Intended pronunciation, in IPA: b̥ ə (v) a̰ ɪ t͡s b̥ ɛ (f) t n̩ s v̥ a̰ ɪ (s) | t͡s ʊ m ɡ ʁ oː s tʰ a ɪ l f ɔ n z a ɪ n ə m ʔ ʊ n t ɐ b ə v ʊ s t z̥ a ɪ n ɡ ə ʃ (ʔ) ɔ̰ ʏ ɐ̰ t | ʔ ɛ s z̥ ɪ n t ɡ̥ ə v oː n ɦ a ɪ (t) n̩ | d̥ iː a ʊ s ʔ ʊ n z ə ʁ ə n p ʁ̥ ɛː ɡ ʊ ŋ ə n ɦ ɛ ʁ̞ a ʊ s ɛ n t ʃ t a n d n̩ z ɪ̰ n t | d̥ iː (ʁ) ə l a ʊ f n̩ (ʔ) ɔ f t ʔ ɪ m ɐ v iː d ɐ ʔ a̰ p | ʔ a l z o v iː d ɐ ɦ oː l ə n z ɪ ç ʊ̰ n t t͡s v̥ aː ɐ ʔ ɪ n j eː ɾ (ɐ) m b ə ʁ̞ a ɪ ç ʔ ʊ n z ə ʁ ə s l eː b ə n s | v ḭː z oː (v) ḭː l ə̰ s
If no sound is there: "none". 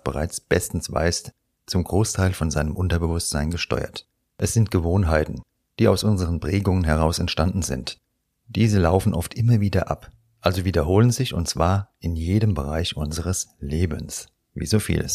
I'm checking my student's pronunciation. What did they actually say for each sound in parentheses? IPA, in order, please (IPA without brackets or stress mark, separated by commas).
ʁ, s, s, t, t, z, ʔ, ə, f